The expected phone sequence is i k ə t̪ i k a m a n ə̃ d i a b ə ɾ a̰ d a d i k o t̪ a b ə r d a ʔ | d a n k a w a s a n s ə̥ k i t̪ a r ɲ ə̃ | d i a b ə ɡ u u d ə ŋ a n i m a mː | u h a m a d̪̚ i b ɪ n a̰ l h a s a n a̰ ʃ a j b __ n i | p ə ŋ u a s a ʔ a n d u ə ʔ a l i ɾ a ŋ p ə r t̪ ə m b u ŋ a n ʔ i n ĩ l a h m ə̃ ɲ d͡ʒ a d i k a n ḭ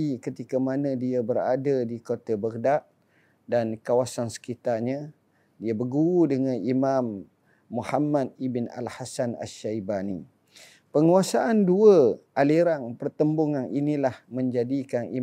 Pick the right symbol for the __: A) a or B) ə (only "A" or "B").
A